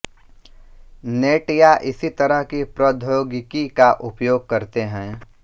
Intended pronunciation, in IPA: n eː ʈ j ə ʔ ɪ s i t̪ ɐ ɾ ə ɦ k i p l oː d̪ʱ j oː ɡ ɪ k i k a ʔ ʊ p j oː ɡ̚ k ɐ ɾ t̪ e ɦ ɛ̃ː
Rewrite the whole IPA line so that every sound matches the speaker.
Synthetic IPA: n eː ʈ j a ʔ ɪ s i t̪ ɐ ɾ ə ɦ k i p ɾ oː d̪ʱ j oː ɡ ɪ k i k a ʔ ʊ p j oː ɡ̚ k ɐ ɾ t̪ e ɦ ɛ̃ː